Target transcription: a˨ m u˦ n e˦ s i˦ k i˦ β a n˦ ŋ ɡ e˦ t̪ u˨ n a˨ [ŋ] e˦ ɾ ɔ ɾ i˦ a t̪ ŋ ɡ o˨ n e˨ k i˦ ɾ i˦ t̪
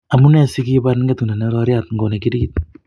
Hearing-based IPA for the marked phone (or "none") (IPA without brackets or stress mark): n